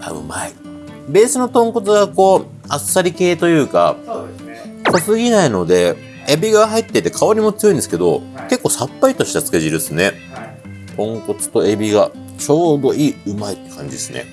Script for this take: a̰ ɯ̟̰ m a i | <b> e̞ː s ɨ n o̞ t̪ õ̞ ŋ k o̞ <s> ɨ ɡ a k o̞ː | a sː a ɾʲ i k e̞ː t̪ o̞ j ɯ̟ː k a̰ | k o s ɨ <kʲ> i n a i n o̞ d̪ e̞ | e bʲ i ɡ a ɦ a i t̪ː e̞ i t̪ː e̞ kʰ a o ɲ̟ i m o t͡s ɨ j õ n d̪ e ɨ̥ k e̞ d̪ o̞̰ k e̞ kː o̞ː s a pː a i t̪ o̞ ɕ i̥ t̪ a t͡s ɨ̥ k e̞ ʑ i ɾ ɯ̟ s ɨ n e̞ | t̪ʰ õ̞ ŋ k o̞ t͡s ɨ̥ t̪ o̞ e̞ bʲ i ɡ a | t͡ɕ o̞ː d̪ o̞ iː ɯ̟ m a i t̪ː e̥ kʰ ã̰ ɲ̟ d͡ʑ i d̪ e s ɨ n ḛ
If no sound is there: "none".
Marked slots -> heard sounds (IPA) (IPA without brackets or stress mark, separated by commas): b, t͡s, ɡʲ